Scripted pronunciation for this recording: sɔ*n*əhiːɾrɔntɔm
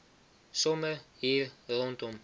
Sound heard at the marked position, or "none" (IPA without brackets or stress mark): m